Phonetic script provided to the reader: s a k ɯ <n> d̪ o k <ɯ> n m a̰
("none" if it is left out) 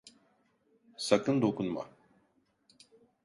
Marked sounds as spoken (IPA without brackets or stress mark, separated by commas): n, u